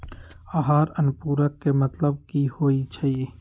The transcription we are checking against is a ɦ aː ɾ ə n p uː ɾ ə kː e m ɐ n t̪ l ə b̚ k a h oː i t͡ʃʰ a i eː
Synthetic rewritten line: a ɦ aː ɾ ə n p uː ɾ ə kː e m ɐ t̪ l ə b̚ k i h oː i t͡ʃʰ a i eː